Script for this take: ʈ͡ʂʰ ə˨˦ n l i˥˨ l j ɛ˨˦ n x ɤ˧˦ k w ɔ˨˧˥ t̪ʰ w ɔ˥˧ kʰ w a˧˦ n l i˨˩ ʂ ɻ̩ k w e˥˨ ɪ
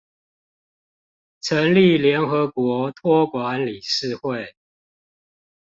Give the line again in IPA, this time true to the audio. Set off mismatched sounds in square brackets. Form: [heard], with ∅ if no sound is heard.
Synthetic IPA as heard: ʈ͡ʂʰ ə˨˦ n l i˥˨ l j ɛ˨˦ n x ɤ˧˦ k w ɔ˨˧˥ t̪ʰ w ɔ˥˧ [k] w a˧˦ n l i˨˩ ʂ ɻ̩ [x] w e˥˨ ɪ